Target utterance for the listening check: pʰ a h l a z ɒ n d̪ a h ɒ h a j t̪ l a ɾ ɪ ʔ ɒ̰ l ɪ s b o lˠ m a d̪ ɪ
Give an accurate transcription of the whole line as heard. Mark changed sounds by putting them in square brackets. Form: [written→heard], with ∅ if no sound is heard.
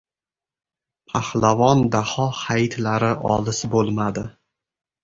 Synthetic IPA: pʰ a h l a [z→v] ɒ n d̪ a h ɒ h a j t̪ l a ɾ ɪ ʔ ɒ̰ l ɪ s b o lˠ m a d̪ ɪ

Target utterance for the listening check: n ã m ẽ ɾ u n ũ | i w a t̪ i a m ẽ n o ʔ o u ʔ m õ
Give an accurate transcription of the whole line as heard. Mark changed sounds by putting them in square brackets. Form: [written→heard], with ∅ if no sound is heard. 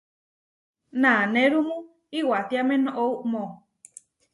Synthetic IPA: n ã [m→n] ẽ ɾ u [n→m] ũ | i w a t̪ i a m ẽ n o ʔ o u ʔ m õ

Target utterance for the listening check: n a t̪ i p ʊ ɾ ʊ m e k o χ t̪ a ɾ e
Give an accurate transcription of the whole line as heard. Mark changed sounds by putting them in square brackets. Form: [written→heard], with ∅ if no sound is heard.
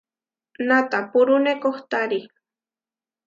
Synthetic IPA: n a t̪ [i→a] p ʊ ɾ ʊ [m→n] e k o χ t̪ a ɾ [e→i]

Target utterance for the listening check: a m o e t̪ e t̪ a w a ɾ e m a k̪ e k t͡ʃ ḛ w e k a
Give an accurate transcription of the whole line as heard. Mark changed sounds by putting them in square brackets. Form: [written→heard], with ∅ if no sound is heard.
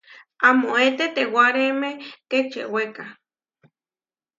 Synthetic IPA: a m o e t̪ e t̪ [a→e] w a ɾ e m [a→e] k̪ e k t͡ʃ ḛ w e k a

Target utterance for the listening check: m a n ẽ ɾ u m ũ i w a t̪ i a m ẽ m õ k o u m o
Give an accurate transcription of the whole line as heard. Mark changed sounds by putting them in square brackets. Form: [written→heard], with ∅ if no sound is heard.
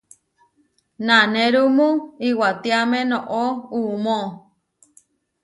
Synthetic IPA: [m→n] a n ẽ ɾ u m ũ i w a t̪ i a m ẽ [m→n] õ [k→ʔ] o u m o

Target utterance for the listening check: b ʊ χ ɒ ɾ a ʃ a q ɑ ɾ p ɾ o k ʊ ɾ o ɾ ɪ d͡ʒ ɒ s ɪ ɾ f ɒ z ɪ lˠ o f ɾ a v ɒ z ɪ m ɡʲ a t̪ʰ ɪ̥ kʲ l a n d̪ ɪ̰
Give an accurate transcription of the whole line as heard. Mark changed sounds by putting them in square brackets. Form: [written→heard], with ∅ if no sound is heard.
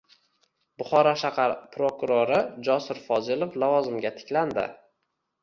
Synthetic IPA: b ʊ χ ɒ ɾ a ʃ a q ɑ ɾ p ɾ o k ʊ ɾ o ɾ ɪ d͡ʒ ɒ s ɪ ɾ f ɒ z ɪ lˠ o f [ɾ→l] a v ɒ z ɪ m ɡʲ a t̪ʰ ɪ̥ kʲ l a n d̪ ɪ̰

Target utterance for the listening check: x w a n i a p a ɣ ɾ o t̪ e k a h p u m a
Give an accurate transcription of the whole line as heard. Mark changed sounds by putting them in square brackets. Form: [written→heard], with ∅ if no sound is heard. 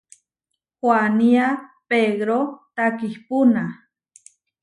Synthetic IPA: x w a n i a p [a→e] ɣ ɾ o t̪ [e→a] k [a→i] h p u [m→n] a

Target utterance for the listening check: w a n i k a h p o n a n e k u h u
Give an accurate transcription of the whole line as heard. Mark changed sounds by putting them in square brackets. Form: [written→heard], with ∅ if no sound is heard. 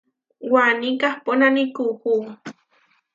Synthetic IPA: w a n i k a h p o n a n [e→i] k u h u

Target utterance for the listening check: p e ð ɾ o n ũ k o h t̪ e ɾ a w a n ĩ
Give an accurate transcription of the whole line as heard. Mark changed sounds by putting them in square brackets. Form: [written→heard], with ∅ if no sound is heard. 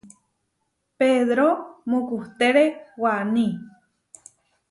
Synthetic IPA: p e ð ɾ o [n→m] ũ k [o→u] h t̪ e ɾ [a→e] w a n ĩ

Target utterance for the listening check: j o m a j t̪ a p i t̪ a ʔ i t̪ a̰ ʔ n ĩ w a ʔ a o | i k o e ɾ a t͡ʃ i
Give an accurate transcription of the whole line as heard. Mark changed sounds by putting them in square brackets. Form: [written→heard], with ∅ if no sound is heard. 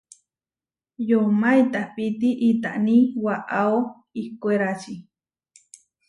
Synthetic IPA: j o m a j t̪ a p i t̪ [a→i] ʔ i t̪ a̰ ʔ n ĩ w a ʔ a o | i k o e ɾ a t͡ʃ i

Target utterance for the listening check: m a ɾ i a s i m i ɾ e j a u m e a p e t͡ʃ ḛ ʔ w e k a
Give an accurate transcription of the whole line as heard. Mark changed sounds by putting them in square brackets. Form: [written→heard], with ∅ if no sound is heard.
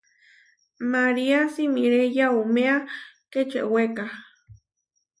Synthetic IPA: m a ɾ i a s i m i ɾ e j a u m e a [p→k] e t͡ʃ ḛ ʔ w e k a

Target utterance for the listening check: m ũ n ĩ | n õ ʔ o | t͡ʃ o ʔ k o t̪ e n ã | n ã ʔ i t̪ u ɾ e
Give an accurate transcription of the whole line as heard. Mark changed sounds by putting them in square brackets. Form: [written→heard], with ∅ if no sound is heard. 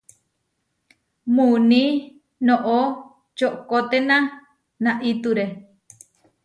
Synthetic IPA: m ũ n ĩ | n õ ʔ o | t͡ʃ o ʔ k o t̪ e n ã | n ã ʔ i t̪ u ɾ e

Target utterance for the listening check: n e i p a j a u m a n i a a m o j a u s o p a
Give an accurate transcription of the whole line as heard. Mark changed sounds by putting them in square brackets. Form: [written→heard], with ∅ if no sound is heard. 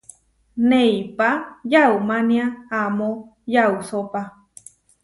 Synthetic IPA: n e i p a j a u m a n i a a m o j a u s o p a

